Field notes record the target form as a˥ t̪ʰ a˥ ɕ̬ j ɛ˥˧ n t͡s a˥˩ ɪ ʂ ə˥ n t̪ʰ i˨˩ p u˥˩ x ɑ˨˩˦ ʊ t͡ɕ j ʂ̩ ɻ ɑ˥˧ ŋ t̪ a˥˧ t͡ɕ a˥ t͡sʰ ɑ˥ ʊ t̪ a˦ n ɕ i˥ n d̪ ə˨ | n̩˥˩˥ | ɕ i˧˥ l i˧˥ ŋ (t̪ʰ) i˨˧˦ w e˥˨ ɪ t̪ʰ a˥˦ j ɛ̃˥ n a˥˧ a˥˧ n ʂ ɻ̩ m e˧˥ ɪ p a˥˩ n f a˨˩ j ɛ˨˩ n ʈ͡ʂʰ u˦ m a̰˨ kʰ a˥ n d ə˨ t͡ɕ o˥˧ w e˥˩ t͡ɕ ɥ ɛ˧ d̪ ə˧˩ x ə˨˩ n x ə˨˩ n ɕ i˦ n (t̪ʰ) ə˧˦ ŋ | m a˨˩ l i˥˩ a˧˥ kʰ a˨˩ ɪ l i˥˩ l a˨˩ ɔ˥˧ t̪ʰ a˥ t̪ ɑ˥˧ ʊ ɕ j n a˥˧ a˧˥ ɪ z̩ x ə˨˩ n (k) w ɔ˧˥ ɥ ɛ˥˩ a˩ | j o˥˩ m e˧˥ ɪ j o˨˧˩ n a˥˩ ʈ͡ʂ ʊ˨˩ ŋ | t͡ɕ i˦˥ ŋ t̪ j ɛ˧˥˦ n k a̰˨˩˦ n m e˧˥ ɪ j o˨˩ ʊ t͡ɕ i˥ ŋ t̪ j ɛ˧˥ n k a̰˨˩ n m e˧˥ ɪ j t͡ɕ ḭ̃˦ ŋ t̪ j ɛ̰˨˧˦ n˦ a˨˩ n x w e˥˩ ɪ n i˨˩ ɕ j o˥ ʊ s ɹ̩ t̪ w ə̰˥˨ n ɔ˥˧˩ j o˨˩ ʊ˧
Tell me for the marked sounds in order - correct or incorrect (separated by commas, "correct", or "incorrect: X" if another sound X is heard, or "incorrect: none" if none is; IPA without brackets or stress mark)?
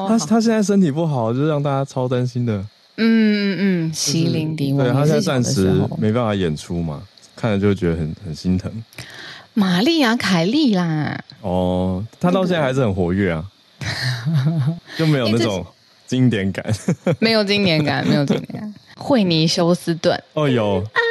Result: incorrect: t̪, correct, incorrect: x